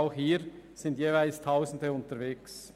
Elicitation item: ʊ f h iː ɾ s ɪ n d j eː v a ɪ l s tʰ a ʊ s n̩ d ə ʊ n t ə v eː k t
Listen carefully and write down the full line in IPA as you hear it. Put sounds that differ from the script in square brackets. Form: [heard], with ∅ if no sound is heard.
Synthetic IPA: ʊ [x] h iː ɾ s ɪ n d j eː v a ɪ l s tʰ a ʊ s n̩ d ə ʊ n t ə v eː k [s]